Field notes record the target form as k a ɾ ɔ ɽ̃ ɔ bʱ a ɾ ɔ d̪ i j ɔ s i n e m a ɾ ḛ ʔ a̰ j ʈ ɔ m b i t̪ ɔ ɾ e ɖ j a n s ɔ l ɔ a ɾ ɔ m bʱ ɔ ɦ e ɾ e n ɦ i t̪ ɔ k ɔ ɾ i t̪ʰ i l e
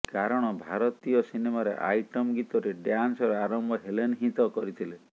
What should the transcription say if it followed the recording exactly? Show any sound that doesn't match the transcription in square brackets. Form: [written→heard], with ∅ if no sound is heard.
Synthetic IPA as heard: k a ɾ ɔ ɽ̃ ɔ bʱ a ɾ ɔ [d̪→t̪] i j ɔ s i n e m a ɾ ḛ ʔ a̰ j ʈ ɔ m [b→ɡ] i t̪ ɔ ɾ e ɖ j a n s ɔ [l→ɾ] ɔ a ɾ ɔ m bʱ ɔ ɦ e [ɾ→l] e n ɦ i t̪ ɔ k ɔ ɾ i t̪ʰ i l e